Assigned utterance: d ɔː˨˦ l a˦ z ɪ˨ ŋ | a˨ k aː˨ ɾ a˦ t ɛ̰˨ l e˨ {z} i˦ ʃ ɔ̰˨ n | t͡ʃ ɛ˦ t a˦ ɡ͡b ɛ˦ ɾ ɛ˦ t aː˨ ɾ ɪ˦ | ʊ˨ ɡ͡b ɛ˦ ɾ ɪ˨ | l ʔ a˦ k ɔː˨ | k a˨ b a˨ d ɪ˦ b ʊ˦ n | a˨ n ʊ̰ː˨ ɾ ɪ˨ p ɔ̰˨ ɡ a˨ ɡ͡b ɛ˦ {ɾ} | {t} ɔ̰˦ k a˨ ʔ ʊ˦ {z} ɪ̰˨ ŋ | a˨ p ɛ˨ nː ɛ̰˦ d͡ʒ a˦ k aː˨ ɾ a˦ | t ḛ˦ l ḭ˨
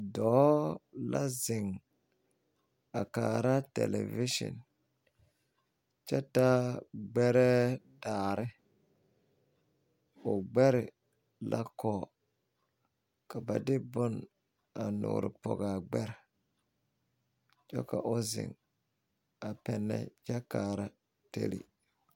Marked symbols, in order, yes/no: no, yes, no, yes

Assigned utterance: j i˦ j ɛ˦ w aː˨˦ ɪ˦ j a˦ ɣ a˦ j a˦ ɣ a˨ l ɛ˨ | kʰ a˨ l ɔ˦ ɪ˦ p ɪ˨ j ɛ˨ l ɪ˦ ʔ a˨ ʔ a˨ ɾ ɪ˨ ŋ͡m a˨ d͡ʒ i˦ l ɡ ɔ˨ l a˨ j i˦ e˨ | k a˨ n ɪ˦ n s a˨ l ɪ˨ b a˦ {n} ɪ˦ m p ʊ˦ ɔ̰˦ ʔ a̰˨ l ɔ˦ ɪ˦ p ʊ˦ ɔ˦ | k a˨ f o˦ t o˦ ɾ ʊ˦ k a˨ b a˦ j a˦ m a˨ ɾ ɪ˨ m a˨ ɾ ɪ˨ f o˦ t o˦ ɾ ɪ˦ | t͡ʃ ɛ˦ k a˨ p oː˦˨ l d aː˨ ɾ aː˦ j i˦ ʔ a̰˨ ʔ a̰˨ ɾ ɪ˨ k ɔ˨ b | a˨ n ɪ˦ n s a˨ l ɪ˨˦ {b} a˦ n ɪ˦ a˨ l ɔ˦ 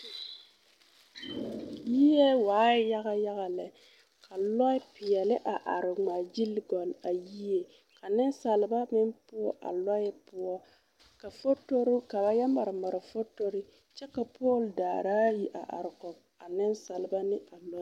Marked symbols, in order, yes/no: no, yes

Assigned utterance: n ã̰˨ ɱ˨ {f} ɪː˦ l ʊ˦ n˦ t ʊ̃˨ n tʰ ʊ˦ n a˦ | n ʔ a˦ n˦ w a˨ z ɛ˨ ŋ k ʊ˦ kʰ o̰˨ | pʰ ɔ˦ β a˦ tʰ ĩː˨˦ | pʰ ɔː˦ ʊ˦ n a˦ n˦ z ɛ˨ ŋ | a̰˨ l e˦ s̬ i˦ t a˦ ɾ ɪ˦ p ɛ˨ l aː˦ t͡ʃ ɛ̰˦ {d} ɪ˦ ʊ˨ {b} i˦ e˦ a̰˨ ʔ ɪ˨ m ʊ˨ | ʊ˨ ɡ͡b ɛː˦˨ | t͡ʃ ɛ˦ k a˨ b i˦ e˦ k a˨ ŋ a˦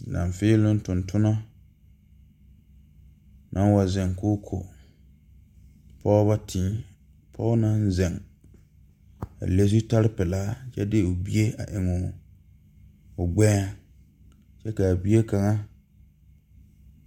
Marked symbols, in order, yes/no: yes, yes, yes

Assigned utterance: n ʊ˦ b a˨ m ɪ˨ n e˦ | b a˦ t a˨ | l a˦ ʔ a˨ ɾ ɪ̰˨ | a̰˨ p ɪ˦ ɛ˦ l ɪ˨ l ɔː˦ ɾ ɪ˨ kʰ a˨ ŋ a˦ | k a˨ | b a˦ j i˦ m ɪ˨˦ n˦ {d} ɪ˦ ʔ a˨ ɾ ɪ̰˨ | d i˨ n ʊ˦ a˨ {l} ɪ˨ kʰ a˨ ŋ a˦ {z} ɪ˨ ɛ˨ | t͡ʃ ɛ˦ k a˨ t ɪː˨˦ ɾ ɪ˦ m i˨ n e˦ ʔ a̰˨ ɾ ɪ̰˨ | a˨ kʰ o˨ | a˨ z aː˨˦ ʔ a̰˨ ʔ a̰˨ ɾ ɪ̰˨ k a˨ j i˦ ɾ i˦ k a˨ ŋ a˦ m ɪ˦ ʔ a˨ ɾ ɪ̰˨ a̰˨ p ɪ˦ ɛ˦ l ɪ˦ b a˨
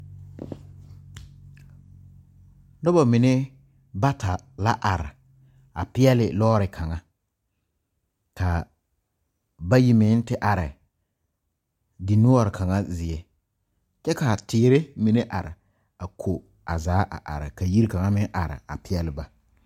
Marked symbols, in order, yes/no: no, no, yes

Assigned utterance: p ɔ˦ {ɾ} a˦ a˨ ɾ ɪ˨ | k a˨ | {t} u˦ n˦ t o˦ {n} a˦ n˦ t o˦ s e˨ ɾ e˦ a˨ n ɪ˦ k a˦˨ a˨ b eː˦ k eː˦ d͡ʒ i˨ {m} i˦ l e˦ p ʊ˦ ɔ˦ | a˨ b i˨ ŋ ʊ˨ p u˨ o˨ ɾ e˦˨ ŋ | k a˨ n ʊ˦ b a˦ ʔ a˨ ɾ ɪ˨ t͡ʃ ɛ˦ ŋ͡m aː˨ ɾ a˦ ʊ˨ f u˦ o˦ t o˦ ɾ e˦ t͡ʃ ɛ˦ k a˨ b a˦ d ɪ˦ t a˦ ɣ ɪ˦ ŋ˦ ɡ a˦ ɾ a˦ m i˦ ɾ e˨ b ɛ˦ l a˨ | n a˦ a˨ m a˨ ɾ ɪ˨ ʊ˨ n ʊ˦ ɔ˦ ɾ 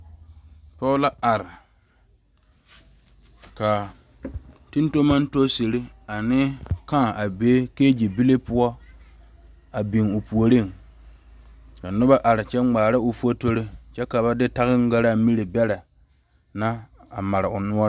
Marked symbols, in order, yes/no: no, yes, no, no

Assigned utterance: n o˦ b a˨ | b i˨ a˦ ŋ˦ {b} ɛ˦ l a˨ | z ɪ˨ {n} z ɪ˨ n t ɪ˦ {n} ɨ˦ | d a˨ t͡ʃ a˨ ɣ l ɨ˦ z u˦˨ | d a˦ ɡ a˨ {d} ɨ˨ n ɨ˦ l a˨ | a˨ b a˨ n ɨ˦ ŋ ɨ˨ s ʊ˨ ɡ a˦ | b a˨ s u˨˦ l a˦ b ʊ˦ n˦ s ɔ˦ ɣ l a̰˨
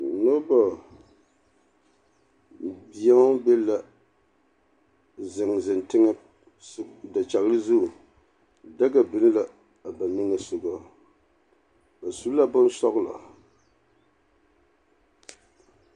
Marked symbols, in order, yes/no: yes, no, no, no

